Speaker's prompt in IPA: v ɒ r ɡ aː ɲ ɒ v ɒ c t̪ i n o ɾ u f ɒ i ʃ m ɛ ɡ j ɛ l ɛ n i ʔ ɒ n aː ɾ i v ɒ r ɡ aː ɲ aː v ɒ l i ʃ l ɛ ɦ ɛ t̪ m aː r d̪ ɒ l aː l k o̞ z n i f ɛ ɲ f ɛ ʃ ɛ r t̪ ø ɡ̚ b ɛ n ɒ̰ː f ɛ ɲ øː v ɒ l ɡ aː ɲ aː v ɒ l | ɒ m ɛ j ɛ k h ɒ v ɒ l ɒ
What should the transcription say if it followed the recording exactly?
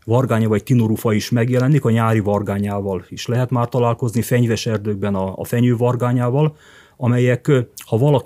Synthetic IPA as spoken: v ɒ r ɡ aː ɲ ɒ v ɒ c t̪ i n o ɾ u f ɒ i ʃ m ɛ ɡ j ɛ l ɛ n i k ɒ ɲ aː ɾ i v ɒ r ɡ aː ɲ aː v ɒ l i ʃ l ɛ ɦ ɛ t̪ m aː r t̪ ɒ l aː l k o̞ z n i f ɛ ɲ v ɛ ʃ ɛ r d̪ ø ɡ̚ b ɛ n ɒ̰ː f ɛ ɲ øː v ɒ r ɡ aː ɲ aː v ɒ l | ɒ m ɛ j ɛ k h ɒ v ɒ l ɒ